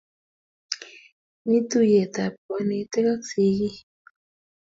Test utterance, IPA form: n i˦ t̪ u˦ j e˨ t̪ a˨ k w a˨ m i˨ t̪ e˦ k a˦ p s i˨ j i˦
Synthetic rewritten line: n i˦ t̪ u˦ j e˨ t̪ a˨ p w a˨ n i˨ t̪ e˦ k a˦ k s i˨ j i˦